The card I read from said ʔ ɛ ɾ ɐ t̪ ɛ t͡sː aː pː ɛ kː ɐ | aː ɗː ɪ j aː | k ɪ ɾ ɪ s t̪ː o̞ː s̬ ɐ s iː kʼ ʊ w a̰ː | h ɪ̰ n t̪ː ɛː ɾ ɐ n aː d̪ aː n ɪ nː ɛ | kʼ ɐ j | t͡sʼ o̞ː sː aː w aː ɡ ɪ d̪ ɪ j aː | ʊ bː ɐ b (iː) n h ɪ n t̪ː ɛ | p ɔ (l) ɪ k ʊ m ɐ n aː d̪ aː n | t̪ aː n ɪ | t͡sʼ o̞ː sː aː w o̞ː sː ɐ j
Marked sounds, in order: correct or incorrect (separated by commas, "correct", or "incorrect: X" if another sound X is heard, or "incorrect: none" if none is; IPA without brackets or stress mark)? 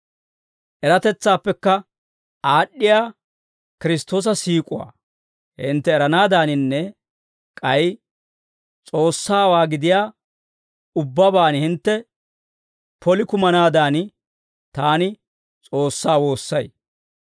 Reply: incorrect: aː, correct